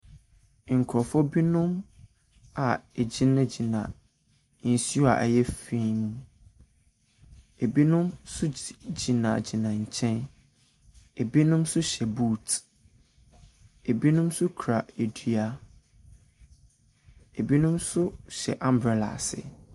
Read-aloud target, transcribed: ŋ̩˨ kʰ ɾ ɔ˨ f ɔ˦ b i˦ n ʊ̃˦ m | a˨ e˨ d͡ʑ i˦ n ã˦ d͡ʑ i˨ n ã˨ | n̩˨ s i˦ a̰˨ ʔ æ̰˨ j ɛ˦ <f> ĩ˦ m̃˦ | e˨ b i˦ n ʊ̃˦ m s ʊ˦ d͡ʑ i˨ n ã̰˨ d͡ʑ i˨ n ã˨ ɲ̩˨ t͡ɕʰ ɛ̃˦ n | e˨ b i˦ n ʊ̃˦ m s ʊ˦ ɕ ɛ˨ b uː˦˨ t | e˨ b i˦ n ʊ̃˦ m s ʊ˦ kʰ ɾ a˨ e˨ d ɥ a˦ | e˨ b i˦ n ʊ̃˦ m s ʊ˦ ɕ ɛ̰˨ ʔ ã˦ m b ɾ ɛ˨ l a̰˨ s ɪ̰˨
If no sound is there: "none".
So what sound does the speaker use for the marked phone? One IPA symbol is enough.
f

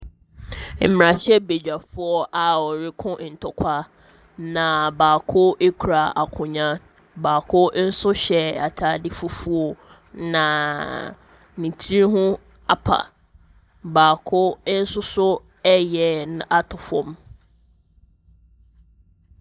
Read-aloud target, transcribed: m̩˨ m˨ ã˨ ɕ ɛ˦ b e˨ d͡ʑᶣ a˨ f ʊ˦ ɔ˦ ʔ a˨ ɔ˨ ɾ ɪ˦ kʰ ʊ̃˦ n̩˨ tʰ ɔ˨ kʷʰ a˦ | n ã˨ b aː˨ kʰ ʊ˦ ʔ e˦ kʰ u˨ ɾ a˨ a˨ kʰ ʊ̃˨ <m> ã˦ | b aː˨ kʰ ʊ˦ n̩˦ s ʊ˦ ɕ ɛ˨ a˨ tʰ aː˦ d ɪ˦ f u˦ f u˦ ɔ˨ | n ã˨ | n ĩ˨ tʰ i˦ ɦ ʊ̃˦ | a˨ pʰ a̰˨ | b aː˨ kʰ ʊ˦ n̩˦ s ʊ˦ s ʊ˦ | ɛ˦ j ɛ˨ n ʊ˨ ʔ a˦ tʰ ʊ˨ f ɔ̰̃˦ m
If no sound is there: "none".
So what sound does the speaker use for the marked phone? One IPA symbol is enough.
ɲ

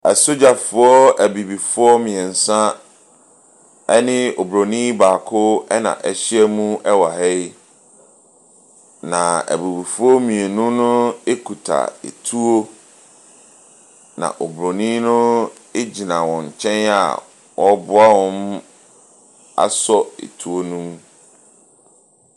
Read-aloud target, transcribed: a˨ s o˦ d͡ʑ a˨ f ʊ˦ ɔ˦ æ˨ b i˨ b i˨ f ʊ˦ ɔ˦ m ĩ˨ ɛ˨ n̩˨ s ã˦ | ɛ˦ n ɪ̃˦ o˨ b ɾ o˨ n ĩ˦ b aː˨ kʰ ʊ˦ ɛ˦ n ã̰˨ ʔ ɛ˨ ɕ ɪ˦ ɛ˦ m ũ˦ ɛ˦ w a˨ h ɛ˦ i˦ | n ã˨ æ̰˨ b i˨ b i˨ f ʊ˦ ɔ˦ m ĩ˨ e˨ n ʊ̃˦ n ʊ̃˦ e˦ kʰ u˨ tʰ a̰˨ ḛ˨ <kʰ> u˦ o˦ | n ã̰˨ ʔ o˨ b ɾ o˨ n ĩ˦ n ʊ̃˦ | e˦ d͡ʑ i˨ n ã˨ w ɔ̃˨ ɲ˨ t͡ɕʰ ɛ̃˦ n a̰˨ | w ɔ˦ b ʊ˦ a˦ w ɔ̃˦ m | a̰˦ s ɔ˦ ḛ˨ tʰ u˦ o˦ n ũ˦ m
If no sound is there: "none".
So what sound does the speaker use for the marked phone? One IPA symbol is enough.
tʰ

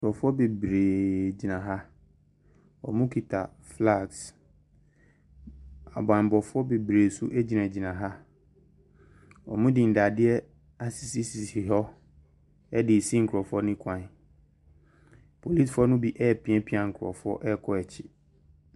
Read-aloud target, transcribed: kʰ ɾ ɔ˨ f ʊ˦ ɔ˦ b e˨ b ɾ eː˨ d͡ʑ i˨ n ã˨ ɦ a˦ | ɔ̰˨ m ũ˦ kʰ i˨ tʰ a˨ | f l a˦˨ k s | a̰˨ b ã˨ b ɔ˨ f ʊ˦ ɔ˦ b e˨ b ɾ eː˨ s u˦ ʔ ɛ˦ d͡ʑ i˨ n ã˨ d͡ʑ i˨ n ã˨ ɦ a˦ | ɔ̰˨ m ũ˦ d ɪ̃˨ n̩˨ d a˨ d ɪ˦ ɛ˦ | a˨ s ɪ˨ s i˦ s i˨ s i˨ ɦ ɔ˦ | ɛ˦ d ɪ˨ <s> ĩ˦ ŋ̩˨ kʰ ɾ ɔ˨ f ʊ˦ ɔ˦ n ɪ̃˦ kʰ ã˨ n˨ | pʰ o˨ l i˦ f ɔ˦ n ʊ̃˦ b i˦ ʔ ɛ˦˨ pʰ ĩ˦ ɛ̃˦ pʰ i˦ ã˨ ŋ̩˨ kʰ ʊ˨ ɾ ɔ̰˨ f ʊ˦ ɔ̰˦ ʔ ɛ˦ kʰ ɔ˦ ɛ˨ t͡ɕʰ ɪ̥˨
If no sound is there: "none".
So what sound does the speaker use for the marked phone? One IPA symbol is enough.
s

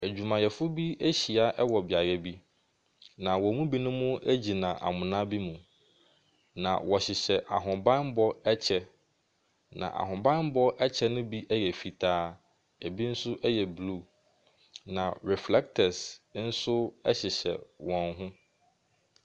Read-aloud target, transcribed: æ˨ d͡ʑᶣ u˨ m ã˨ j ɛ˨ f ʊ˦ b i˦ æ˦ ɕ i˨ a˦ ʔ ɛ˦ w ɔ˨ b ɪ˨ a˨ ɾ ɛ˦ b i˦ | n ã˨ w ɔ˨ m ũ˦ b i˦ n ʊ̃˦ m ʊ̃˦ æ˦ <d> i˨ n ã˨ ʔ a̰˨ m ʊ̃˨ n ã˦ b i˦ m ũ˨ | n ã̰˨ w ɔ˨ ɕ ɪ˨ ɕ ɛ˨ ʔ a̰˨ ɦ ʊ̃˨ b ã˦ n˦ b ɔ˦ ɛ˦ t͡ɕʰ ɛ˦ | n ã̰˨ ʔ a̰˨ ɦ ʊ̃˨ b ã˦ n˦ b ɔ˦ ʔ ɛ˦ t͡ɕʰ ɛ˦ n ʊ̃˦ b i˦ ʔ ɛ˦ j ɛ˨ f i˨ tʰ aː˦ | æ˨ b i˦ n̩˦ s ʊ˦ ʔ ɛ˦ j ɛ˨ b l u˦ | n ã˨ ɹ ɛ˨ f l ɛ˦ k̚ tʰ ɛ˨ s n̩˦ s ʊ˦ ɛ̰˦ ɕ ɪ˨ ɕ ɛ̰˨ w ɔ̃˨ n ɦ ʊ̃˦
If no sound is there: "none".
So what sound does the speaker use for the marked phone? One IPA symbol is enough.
d͡ʑ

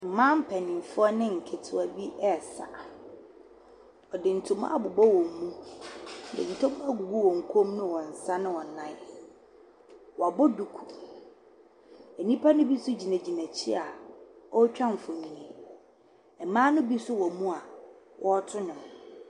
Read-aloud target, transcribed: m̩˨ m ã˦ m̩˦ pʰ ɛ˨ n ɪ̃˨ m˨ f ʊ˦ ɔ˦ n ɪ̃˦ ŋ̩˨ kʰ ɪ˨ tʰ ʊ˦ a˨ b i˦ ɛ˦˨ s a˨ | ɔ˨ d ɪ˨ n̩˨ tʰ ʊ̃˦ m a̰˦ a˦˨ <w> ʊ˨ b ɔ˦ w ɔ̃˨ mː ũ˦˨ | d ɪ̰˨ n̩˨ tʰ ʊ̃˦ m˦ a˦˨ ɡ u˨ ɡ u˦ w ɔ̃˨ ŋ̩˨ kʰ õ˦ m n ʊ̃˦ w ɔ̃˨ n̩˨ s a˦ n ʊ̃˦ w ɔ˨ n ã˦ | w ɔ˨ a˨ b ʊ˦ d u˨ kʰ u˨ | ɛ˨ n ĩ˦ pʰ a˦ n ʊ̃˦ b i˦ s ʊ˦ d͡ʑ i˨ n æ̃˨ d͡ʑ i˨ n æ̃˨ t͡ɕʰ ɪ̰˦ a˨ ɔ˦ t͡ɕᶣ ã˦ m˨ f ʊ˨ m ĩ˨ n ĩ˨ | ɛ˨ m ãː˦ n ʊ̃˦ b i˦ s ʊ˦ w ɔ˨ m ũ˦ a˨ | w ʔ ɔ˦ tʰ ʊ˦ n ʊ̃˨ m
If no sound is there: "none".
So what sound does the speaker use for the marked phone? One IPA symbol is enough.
b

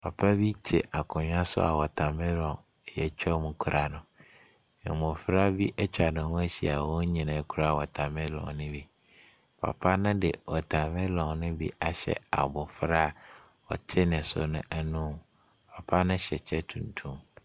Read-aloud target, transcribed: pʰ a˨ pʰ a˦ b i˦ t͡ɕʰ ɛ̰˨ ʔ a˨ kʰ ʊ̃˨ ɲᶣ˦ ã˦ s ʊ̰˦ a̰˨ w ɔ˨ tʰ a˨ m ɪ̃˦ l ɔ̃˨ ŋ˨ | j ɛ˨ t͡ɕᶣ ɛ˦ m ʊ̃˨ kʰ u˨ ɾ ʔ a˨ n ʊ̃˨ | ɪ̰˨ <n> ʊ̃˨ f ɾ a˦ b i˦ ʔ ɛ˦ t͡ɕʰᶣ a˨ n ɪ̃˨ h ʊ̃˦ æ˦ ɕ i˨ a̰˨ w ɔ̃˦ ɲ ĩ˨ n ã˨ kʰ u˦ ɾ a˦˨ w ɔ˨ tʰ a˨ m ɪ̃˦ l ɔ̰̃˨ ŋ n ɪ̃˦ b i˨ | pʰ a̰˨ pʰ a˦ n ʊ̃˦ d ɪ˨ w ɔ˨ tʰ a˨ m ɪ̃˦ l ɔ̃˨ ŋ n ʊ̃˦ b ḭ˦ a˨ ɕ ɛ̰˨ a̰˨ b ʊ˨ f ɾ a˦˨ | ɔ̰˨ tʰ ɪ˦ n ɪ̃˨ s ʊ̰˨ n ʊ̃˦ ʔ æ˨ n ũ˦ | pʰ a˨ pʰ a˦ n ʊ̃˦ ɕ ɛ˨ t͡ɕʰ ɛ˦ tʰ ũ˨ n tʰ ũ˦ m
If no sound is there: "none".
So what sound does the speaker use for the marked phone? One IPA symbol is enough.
m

